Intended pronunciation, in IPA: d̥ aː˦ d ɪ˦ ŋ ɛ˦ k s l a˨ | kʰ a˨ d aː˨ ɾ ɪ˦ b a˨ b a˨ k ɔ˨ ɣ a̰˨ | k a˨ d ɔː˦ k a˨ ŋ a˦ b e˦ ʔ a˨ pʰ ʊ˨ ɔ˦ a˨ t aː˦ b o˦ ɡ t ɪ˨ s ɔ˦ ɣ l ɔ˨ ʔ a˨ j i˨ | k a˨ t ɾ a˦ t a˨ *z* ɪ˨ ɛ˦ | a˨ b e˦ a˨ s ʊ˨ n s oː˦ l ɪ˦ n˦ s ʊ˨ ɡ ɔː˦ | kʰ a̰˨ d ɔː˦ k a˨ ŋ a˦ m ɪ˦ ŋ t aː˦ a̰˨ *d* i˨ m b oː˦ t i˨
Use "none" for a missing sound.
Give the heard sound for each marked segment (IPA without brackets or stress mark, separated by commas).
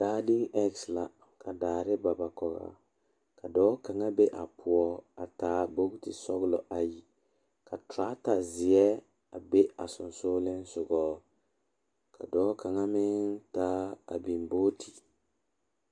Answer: z, b